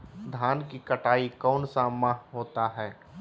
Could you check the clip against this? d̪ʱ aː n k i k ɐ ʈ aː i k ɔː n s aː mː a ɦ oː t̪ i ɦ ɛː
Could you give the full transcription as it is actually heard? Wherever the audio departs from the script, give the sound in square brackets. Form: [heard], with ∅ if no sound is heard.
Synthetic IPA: d̪ʱ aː n k i k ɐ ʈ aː i k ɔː n s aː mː a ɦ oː t̪ [a] ɦ ɛː